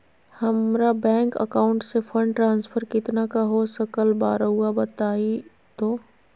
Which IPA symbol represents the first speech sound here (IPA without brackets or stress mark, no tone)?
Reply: h